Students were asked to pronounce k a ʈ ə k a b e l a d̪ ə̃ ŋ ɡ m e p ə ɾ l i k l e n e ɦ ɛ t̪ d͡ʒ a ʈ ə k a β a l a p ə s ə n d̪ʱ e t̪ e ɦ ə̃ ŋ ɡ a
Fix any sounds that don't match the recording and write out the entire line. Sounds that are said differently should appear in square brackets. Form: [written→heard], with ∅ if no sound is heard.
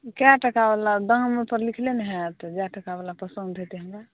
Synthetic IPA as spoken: k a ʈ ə k a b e l a d̪ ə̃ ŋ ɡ m e p ə ɾ l i [k→kʰ] l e n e ɦ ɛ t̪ d͡ʒ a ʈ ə k a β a l a p ə s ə n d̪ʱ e t̪ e ɦ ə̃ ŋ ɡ a